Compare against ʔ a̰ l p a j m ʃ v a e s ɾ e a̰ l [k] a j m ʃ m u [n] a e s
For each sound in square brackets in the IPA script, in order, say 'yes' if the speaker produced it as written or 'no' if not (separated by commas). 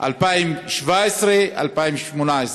no, yes